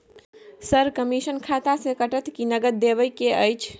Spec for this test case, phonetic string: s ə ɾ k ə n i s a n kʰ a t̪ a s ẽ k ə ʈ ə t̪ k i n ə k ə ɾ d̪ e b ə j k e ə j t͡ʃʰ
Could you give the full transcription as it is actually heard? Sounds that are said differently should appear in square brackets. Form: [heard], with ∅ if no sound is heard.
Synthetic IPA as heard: s ə ɾ k ə [m] i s [ə] n kʰ a t̪ a s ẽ k ə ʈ ə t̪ k i n ə [ɡ] ə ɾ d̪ e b ə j k e ə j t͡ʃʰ